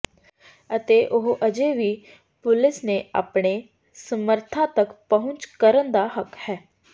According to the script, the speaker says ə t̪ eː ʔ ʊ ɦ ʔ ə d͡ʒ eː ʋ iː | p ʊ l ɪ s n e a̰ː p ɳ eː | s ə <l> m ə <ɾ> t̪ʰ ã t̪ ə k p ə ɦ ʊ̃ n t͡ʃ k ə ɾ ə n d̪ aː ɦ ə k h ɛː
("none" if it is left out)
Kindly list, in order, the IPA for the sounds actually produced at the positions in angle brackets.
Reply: none, ɾ

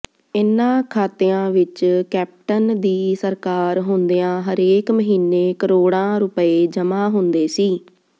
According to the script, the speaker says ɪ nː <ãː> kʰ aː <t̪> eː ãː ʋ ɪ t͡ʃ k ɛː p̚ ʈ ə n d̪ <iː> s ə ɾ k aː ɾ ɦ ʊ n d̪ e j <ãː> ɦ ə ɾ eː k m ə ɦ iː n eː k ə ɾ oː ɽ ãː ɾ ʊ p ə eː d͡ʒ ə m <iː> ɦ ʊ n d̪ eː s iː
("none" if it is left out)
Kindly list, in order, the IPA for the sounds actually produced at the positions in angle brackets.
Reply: ãː, t̪, iː, ãː, aː

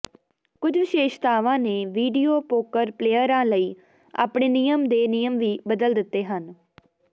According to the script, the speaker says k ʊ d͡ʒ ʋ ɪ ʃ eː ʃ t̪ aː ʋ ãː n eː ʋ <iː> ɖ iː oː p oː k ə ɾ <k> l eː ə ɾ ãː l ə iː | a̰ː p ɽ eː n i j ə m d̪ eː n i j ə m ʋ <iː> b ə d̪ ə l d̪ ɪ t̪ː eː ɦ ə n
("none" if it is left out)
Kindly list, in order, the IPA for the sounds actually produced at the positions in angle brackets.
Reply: iː, p, iː

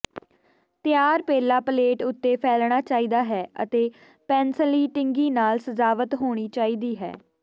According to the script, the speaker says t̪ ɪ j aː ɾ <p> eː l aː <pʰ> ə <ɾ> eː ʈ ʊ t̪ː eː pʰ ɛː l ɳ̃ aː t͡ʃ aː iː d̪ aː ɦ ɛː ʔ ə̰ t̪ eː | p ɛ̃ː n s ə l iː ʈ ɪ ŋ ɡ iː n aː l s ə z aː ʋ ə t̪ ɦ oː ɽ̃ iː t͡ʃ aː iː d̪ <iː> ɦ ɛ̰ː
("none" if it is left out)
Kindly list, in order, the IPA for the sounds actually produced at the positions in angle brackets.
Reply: p, p, l, iː

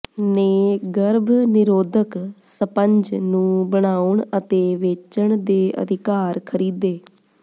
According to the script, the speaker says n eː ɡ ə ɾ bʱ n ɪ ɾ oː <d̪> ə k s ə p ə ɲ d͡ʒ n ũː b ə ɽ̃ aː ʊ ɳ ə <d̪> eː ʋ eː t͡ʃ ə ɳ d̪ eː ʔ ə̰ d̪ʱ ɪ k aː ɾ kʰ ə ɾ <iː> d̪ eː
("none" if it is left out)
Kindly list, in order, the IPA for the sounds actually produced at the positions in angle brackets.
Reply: d̪, t̪, iː

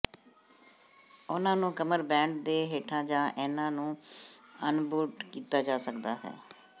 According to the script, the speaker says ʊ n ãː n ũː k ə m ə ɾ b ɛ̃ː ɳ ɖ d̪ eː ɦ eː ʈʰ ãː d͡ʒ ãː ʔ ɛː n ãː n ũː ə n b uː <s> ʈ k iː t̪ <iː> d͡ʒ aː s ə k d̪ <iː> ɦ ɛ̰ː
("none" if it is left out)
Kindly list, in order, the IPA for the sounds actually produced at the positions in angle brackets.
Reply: none, aː, aː

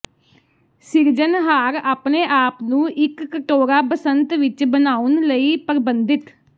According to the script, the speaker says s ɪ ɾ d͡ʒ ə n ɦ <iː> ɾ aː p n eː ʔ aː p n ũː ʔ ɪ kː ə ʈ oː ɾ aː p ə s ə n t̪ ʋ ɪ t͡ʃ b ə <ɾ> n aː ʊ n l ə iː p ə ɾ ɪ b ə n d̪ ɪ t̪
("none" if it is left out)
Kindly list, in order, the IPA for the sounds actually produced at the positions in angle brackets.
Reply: aː, none

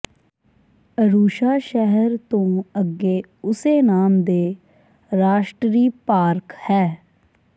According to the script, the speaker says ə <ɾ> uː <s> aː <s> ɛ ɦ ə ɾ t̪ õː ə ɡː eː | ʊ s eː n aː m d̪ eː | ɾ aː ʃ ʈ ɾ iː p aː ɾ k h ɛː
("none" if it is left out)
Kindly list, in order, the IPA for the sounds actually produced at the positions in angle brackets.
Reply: ɾ, ʃ, ʃ

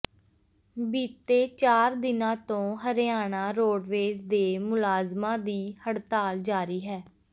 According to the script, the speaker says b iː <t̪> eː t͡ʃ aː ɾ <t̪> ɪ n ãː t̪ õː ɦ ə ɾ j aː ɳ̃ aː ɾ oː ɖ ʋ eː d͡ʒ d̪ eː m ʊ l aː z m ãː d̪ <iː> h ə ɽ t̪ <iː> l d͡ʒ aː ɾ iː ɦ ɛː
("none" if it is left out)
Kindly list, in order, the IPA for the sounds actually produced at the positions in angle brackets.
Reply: t̪, d̪, iː, aː

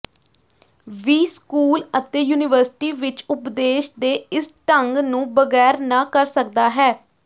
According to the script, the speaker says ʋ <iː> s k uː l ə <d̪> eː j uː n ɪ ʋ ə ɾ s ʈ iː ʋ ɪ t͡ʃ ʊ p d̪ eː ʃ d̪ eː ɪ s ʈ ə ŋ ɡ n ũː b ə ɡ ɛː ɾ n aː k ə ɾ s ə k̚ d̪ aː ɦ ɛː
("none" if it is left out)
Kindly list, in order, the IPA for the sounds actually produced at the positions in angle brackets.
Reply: iː, t̪

